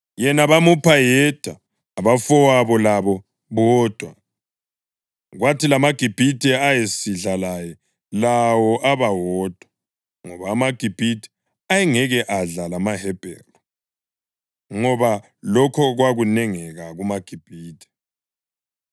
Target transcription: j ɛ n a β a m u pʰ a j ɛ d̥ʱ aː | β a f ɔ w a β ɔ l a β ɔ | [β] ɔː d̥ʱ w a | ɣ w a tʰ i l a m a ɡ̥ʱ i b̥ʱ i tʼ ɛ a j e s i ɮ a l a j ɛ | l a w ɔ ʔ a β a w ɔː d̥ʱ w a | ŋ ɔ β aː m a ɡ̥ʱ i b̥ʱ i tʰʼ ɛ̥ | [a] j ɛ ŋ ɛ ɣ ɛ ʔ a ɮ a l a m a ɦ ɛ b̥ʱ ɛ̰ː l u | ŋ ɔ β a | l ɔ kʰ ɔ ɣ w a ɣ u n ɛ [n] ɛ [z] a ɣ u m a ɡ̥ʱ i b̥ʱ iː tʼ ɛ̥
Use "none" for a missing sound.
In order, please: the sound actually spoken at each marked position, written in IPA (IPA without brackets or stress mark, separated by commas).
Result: β, a, ŋ, ɣ